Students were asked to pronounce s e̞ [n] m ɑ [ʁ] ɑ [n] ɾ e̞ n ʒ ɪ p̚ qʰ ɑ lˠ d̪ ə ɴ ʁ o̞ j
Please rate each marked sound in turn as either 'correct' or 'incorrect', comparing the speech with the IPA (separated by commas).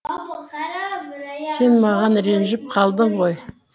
correct, correct, correct